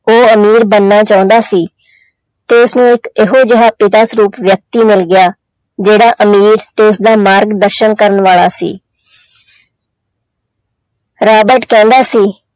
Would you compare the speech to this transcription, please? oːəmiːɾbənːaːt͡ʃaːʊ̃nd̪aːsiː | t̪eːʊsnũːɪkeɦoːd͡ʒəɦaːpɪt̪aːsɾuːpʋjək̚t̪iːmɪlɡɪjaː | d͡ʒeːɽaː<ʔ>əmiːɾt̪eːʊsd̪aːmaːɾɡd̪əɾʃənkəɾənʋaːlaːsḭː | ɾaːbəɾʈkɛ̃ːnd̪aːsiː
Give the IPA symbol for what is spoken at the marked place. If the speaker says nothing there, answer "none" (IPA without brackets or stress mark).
ʔ